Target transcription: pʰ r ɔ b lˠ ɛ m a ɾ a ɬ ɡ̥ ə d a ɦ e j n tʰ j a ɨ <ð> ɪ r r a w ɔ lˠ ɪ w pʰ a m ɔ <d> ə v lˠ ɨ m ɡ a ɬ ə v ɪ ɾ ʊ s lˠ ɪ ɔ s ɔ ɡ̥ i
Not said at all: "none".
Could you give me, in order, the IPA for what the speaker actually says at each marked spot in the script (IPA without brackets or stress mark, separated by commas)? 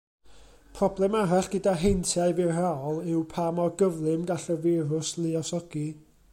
v, ɡ